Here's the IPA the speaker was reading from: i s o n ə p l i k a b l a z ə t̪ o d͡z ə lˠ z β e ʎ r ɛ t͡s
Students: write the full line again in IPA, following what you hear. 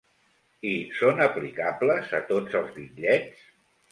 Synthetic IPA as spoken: i s o n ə p l i k a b l ə z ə t̪ o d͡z ə lˠ z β i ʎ ʎ ɛ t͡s